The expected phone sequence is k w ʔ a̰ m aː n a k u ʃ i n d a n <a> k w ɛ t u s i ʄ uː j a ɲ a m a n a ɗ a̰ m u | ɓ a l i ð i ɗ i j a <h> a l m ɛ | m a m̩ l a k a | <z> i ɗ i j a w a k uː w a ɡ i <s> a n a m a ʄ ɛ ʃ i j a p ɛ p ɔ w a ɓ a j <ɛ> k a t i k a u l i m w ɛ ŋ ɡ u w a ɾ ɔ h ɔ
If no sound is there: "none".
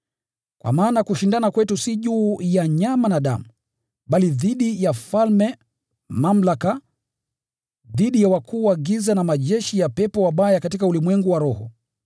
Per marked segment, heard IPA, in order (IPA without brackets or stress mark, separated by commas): a, f, ð, z, a